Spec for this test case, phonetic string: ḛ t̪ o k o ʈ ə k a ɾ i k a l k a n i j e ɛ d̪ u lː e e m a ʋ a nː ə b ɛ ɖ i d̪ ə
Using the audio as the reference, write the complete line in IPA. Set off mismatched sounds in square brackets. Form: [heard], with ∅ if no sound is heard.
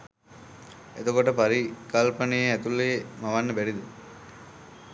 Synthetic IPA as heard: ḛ t̪ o k o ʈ ə [p] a ɾ i k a l [p] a n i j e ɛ [t̪] u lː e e m a ʋ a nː ə b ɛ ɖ i d̪ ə